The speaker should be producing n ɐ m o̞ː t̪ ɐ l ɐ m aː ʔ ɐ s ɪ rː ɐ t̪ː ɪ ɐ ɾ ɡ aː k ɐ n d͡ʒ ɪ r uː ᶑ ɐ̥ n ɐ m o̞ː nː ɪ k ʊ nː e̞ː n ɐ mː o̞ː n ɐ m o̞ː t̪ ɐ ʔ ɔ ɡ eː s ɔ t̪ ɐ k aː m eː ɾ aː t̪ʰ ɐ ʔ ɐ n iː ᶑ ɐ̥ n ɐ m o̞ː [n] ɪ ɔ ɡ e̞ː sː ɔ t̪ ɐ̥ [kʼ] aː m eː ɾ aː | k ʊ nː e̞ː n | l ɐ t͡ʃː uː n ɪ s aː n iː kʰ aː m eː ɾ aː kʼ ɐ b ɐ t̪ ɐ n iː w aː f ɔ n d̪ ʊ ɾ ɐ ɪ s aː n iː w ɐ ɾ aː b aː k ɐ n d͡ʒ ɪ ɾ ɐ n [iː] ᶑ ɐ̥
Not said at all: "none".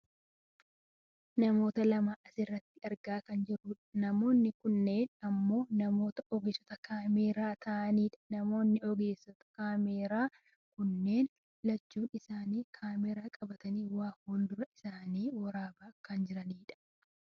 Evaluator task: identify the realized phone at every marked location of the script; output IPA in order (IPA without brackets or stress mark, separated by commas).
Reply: nː, k, iː